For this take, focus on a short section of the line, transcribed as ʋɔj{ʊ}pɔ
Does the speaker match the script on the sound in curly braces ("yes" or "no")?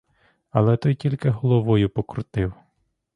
yes